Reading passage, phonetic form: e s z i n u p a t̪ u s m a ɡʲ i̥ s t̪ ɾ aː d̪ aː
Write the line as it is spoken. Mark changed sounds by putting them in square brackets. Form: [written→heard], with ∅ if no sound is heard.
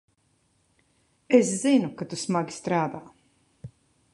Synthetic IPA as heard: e s z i n u [p→k] a t̪ u s m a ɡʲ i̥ s t̪ ɾ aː d̪ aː